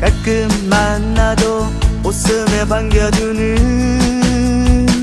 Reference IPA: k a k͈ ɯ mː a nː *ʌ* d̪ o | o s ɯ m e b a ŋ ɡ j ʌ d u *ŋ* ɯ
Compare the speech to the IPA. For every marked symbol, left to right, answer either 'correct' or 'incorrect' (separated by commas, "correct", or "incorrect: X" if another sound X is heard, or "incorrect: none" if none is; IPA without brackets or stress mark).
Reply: incorrect: a, incorrect: n